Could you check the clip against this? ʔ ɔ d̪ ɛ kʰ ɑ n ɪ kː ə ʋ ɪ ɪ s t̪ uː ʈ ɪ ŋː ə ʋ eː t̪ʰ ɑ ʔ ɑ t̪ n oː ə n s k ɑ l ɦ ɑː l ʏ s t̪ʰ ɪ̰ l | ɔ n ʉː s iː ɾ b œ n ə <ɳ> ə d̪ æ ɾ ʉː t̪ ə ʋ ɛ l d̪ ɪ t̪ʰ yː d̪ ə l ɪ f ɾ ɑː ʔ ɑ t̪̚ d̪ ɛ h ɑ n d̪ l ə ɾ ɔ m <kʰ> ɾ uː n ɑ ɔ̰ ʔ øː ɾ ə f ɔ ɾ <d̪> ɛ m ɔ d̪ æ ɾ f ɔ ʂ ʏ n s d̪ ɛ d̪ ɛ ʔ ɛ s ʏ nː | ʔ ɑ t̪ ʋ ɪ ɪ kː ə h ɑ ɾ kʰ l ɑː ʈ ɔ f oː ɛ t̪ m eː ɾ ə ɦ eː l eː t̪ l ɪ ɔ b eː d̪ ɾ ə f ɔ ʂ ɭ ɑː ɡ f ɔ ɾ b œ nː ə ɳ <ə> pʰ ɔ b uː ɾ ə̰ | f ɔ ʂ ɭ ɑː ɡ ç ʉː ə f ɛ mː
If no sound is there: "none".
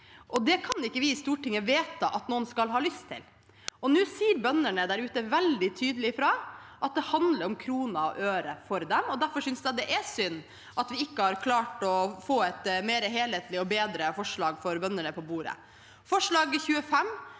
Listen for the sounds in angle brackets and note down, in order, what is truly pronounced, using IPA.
ɳ, kʰ, d̪, ə

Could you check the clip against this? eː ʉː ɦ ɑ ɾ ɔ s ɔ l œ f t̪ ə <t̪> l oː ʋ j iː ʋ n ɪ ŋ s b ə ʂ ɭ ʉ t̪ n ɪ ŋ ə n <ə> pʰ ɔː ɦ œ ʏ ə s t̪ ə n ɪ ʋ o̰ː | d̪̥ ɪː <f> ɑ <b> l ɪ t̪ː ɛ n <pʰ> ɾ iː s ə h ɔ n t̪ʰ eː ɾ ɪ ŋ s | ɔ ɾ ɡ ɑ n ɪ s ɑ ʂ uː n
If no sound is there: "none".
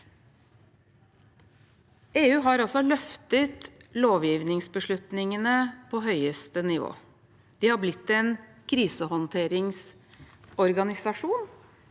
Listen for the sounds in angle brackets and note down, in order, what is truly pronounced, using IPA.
t̪, ə, h, b, kʰ

